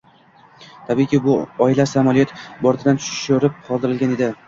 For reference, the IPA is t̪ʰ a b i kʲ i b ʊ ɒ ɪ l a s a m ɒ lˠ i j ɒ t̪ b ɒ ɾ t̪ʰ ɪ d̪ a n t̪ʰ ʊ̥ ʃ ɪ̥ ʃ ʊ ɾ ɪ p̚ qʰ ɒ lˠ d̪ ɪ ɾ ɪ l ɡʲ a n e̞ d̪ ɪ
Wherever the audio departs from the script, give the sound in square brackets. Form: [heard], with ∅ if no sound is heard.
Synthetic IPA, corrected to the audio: t̪ʰ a b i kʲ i b ʊ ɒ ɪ l a s a m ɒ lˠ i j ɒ t̪ b ɒ ɾ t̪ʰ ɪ d̪ a n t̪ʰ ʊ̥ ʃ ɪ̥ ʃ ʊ ɾ ɪ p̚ qʰ ɒ lˠ d̪ ɪ ɾ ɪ l ɡʲ a n e̞ d̪ ɪ